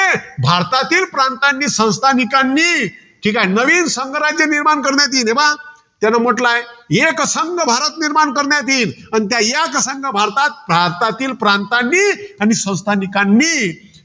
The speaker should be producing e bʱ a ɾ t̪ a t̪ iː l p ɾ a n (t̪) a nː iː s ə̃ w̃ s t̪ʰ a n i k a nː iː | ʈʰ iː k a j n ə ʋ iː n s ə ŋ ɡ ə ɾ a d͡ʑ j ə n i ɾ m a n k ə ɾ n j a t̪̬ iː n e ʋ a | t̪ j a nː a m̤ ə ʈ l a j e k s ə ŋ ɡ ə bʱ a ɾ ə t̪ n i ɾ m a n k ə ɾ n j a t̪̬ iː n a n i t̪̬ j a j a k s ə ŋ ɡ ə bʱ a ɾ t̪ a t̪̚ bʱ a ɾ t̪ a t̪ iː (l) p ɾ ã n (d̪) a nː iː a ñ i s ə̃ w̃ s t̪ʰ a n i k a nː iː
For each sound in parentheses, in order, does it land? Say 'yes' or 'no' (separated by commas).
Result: yes, yes, no